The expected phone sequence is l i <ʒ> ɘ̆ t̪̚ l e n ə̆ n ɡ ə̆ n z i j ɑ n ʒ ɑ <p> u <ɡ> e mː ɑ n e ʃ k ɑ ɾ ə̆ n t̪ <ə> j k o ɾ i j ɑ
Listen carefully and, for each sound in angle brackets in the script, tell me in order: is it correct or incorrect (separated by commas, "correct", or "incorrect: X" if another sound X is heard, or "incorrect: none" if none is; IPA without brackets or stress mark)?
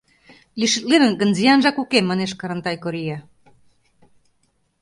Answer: incorrect: ʃ, incorrect: k, incorrect: k, incorrect: ɑ